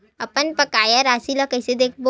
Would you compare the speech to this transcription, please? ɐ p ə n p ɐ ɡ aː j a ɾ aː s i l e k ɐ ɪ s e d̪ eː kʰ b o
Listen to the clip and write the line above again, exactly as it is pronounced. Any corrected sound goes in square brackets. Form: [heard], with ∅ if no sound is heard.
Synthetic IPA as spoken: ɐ p ə n p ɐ [k] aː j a ɾ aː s i l [a] k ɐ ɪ s e d̪ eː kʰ b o